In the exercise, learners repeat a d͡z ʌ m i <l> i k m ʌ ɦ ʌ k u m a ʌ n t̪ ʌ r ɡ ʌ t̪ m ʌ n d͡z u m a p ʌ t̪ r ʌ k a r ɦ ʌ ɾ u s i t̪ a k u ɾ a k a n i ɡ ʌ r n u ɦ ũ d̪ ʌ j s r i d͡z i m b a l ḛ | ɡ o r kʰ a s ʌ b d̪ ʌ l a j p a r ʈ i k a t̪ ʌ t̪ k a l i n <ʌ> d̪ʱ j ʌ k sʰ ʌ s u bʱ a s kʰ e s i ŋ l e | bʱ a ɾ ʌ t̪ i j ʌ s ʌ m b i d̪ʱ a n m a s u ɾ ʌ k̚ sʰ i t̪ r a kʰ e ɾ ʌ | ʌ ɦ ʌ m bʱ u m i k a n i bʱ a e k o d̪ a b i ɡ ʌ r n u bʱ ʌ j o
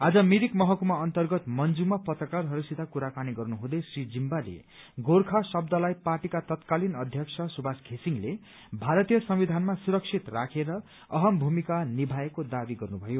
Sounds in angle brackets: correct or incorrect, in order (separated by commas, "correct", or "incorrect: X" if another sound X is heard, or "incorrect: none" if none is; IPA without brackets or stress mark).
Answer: incorrect: ɾ, correct